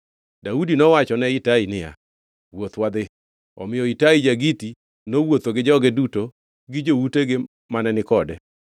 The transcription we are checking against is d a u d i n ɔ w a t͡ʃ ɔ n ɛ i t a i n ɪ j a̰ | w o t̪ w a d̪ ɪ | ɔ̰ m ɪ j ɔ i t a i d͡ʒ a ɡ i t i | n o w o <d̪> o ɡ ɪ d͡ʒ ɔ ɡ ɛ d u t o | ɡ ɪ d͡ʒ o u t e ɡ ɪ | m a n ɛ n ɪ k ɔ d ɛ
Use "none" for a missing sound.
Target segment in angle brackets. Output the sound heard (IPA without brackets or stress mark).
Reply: t̪